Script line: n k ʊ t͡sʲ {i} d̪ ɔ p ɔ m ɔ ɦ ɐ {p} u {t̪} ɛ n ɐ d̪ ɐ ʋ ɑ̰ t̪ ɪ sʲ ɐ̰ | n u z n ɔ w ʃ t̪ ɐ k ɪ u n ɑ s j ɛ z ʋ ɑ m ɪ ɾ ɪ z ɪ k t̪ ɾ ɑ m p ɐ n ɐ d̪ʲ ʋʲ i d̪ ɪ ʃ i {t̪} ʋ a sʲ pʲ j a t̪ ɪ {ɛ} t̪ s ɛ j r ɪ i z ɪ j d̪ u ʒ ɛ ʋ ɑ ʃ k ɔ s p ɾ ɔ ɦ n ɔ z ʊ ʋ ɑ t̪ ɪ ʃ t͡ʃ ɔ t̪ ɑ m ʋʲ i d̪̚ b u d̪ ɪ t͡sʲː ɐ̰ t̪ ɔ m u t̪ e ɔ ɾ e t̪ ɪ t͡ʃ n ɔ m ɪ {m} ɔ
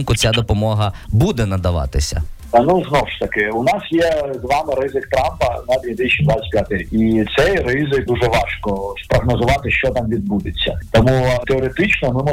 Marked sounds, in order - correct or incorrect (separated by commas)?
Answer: incorrect, incorrect, incorrect, incorrect, incorrect, correct